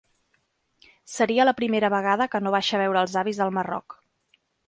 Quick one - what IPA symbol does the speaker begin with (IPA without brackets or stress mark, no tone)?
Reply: s